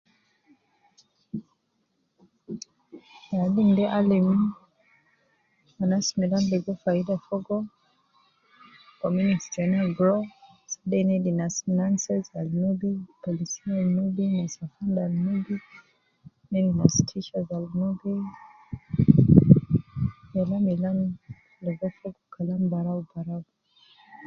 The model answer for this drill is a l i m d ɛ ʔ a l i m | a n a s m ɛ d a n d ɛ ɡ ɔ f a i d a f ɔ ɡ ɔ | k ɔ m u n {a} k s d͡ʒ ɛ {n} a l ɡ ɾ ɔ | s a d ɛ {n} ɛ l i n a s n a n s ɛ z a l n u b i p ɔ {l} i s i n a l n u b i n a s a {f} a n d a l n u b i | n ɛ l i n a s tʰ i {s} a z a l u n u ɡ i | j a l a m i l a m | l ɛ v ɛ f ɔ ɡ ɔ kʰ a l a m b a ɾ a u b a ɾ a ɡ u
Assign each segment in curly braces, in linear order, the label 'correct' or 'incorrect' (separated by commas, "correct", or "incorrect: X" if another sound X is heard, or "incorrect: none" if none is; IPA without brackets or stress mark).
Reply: incorrect: i, correct, correct, correct, correct, incorrect: ʃ